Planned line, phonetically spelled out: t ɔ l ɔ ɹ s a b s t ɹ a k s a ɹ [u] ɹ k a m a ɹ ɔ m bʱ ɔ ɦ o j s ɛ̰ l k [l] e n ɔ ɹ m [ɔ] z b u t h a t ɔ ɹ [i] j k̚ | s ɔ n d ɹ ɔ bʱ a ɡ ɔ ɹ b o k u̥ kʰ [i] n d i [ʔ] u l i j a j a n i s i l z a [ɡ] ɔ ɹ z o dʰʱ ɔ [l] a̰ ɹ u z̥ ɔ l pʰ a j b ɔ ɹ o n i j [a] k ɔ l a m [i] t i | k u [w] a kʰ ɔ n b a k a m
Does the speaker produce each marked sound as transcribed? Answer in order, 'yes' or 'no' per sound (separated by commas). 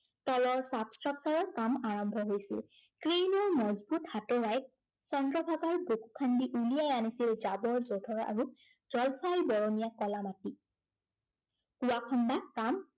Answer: no, no, yes, no, no, yes, no, no, yes, no, yes